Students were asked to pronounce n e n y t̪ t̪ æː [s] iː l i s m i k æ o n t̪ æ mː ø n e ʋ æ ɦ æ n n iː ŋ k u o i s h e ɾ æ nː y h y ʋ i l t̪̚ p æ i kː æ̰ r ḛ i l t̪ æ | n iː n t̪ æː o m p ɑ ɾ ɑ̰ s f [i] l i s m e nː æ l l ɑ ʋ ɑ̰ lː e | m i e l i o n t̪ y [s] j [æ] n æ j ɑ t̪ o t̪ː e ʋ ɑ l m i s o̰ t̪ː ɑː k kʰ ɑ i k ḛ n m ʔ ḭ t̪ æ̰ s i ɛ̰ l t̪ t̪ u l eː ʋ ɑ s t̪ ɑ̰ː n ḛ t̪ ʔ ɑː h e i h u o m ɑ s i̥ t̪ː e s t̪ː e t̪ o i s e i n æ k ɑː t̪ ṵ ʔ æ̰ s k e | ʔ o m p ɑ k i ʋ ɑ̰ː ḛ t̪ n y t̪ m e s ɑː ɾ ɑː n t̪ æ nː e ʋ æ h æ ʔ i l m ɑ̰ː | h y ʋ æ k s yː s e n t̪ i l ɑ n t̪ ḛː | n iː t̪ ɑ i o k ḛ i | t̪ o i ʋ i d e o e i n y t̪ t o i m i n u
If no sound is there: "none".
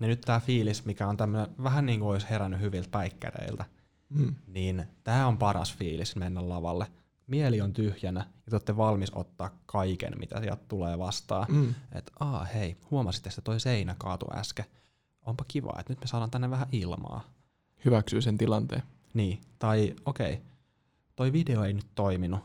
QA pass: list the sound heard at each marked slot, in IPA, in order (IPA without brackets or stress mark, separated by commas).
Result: f, iː, h, æ